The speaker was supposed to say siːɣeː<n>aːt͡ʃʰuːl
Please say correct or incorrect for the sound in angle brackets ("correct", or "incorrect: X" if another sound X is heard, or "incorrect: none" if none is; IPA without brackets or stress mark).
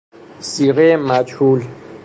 incorrect: m